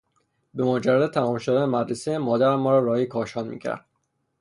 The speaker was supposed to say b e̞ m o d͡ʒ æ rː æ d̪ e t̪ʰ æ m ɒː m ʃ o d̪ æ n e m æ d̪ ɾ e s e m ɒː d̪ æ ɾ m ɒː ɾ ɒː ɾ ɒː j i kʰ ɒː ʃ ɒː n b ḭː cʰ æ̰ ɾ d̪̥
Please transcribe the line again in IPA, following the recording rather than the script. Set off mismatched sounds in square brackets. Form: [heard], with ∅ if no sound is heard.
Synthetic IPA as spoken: b e̞ m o d͡ʒ æ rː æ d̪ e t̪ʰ æ m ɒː m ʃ o d̪ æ n e m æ d̪ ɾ e s e m ɒː d̪ æ ɾ m ɒː ɾ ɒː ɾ ɒː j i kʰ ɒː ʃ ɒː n [m] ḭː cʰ æ̰ ɾ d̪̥